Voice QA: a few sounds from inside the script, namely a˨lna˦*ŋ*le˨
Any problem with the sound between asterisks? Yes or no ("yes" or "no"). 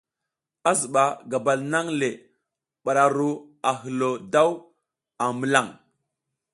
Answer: no